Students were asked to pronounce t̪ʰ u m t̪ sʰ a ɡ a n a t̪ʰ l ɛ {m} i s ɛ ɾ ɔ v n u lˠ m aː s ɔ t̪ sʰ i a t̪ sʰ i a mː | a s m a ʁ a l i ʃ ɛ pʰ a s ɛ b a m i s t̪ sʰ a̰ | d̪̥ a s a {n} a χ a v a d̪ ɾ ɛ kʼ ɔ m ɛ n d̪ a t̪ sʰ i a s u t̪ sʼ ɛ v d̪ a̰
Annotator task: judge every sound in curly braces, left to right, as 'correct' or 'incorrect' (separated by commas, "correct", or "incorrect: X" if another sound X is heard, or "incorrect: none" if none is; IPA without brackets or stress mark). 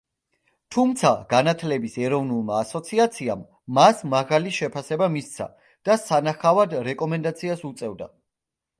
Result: incorrect: b, correct